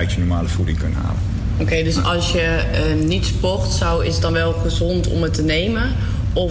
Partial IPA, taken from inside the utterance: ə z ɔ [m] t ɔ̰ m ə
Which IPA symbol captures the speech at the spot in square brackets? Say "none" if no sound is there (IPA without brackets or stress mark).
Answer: n